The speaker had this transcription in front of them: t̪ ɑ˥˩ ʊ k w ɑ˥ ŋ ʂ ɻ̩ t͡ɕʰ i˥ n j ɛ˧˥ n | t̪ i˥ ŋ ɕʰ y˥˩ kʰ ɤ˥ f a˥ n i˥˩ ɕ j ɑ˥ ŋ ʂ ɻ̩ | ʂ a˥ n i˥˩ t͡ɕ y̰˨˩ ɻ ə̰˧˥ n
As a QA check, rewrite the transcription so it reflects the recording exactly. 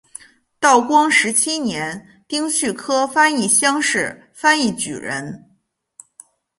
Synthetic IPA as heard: t̪ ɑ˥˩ ʊ k w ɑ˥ ŋ ʂ ɻ̩ t͡ɕʰ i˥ n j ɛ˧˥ n | t̪ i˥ ŋ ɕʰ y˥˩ kʰ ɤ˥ f a˥ n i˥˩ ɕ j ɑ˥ ŋ ʂ ɻ̩ | f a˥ n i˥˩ t͡ɕ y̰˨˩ ɻ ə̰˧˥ n

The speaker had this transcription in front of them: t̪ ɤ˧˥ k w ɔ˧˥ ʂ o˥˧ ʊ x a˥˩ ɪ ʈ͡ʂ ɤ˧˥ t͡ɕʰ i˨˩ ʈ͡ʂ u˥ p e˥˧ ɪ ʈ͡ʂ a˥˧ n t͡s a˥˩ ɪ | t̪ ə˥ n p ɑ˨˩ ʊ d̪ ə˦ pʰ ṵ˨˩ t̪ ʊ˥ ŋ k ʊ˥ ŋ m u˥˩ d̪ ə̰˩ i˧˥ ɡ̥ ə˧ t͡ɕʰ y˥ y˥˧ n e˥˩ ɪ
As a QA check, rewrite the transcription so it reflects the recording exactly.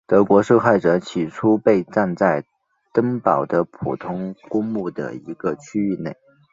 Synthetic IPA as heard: t̪ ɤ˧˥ k w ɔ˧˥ ʂ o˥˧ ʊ x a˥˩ ɪ ʈ͡ʂ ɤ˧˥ t͡ɕʰ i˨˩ ʈ͡ʂʰ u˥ p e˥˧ ɪ ʈ͡ʂ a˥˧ n t͡s a˥˩ ɪ | t̪ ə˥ ŋ p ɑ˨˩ ʊ d̪ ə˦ pʰ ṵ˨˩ t̪ʰ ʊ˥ ŋ k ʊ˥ ŋ m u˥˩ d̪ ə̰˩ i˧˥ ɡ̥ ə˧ t͡ɕʰ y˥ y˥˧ n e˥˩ ɪ

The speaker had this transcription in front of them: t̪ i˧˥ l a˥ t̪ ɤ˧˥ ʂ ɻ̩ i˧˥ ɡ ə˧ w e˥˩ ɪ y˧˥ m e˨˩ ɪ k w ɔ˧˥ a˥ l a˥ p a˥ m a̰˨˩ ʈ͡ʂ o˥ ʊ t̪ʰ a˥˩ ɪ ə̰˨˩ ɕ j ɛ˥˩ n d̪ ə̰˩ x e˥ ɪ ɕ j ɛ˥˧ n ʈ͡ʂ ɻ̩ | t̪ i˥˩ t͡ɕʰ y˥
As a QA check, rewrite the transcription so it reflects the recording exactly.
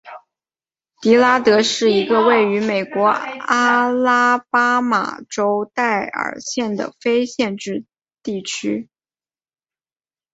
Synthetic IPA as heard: t̪ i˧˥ l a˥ t̪ ɤ˧˥ ʂ ɻ̩ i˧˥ ɡ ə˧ w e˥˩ ɪ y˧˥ m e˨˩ ɪ k w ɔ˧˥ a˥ l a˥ p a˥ m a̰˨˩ ʈ͡ʂ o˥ ʊ t̪ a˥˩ ɪ ə̰˨˩ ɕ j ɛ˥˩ n d̪ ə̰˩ f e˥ ɪ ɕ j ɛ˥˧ n ʈ͡ʂ ɻ̩ | t̪ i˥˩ t͡ɕʰ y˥

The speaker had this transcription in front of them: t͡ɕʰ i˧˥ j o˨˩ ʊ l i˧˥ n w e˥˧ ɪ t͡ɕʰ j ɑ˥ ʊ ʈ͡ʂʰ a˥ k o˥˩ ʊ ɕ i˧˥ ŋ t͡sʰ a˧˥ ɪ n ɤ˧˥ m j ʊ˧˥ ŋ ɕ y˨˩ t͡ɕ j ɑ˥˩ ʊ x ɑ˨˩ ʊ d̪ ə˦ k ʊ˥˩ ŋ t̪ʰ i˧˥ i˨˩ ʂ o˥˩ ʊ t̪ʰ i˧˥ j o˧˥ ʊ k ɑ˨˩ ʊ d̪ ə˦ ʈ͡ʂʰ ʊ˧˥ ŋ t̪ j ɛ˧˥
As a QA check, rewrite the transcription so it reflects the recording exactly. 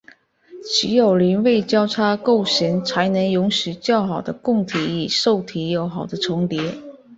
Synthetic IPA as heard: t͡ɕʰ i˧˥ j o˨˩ ʊ l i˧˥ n w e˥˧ ɪ t͡ɕ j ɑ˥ ʊ ʈ͡ʂʰ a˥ k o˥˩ ʊ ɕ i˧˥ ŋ t͡sʰ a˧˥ ɪ n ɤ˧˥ ŋ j ʊ˧˥ ŋ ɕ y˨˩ t͡ɕ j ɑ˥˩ ʊ x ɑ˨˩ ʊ d̪ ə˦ k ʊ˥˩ ŋ t̪ʰ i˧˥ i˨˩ ʂ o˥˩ ʊ t̪ʰ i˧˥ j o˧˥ ʊ x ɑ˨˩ ʊ d̪ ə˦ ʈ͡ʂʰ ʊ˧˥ ŋ t̪ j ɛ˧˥

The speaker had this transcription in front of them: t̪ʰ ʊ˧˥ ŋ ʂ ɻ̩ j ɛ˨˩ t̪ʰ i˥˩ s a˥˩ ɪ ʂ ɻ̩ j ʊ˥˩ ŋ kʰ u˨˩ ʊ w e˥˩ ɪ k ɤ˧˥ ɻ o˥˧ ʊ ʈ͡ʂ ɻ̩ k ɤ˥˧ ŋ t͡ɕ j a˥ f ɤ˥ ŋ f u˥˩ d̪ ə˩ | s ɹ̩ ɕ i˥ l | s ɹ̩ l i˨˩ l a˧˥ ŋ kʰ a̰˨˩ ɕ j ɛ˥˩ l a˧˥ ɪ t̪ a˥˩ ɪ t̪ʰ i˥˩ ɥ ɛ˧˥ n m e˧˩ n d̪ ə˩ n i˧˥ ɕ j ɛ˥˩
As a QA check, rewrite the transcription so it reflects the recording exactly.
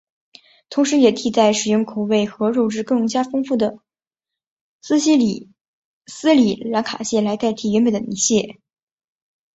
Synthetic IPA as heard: t̪ʰ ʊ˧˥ ŋ ʂ ɻ̩ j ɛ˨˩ t̪ʰ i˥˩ t͡s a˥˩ ɪ ʂ ɻ̩ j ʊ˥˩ ŋ kʰ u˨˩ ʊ w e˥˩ ɪ x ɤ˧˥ ɻ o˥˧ ʊ ʈ͡ʂ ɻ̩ k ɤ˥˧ ŋ t͡ɕ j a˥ f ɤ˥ ŋ f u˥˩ d̪ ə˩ | s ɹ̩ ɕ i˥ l | s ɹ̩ l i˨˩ l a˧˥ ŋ kʰ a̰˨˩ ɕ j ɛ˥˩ l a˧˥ ɪ t̪ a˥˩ ɪ t̪ʰ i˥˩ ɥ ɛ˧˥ n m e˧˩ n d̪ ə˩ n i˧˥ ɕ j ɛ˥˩

